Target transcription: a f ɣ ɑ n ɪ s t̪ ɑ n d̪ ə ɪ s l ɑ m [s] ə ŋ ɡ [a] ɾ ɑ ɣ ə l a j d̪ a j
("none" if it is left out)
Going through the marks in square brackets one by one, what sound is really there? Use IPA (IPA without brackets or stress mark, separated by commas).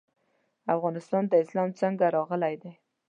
t͡s, a